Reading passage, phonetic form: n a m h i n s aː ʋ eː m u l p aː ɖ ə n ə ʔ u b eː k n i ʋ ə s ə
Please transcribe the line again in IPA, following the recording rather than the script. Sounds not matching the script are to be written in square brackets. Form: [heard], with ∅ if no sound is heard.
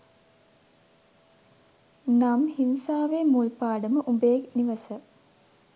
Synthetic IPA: n a m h i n s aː ʋ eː m u l p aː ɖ ə [m] ə ʔ u b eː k n i ʋ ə s ə

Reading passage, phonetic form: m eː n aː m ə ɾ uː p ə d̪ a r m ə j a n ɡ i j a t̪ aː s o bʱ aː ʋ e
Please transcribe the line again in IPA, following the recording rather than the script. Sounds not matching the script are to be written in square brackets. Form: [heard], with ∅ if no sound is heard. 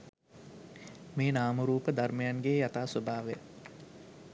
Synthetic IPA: m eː n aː m ə ɾ uː p ə d̪ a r m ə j a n ɡ [e] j a t̪ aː s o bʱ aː ʋ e

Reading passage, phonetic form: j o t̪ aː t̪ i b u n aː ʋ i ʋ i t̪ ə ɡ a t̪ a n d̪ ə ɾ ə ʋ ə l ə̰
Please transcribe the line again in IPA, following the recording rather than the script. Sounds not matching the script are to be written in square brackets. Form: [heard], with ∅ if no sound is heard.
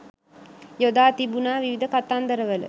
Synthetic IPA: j o [d̪] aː t̪ i b u n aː ʋ i ʋ i [d̪] ə [k] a t̪ a n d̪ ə ɾ ə ʋ ə l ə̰

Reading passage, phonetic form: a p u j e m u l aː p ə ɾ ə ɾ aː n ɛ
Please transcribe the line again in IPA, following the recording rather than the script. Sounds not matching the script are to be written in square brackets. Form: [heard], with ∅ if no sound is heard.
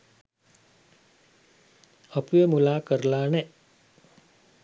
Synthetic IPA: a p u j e m u l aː [k] ə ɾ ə [l] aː n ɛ

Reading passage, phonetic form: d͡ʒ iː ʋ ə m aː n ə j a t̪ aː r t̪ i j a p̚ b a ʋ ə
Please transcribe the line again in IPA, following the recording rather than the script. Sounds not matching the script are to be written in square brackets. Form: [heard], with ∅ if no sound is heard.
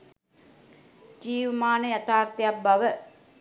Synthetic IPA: d͡ʒ iː ʋ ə m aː n ə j a t̪ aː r t̪ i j a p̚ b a ʋ ə

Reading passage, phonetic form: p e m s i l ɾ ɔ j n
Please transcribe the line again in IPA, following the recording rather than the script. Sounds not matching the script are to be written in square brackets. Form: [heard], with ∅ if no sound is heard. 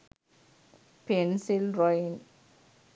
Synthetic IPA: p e [n] s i l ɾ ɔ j n

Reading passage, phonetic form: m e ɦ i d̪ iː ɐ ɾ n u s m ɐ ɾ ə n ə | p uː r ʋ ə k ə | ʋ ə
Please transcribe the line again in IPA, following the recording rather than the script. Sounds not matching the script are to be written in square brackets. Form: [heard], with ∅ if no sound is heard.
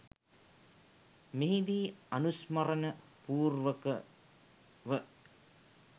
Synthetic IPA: m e ɦ i d̪ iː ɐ [∅] n u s m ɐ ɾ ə n ə | p uː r ʋ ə k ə | ʋ ə

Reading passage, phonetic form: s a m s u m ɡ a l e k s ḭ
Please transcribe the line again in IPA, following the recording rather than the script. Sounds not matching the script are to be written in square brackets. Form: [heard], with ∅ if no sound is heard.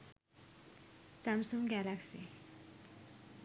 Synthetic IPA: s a m s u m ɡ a l [a] k s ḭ

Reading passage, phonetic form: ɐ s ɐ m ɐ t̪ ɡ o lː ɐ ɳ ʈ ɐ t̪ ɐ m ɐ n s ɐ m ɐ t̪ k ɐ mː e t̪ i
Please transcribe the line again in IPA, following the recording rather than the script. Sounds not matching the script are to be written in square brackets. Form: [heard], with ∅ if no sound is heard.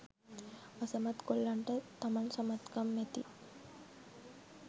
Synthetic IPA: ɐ s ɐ m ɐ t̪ [k] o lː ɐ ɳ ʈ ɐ t̪ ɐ m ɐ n s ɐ m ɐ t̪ k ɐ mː e t̪ i

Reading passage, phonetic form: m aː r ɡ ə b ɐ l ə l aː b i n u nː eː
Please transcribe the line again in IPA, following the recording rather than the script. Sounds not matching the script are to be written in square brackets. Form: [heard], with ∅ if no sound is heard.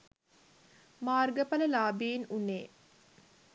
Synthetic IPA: m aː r ɡ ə [p] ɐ l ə l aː b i n u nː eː

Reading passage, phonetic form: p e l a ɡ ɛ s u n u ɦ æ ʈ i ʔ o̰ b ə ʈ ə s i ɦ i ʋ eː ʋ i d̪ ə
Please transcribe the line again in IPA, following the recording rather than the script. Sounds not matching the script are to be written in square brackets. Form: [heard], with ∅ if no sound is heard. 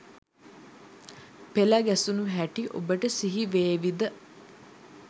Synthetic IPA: p e l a ɡ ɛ s u n u ɦ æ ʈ i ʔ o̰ b ə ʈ ə s i ɦ i ʋ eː ʋ i d̪ ə

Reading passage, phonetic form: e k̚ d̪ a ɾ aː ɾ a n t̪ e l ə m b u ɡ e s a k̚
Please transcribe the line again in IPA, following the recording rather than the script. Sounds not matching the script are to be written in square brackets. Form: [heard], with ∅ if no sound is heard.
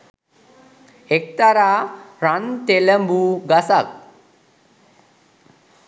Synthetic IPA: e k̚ [t̪] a ɾ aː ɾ a n t̪ e l ə m b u ɡ [a] s a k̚

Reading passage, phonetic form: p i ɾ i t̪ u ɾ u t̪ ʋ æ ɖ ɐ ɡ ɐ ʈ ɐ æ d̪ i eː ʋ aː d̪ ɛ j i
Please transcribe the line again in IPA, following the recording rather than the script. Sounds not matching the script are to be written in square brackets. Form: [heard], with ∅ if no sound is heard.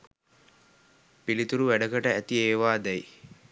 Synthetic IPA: p i [l] i t̪ u ɾ u [∅] ʋ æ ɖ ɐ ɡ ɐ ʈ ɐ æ [t̪] i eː ʋ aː d̪ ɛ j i

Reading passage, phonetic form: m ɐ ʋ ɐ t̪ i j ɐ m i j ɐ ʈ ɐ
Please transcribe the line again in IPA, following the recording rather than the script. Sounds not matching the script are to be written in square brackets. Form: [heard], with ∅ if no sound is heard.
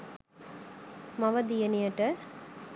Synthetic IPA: m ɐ ʋ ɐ [d̪] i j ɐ [n] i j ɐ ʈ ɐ

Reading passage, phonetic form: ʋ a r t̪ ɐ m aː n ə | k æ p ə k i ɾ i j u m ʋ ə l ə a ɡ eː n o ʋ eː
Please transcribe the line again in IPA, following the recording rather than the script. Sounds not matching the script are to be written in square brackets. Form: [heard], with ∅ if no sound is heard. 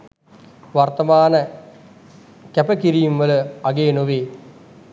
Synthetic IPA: ʋ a r t̪ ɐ m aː n ə | k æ p ə k i ɾ i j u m ʋ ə l ə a ɡ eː n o ʋ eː

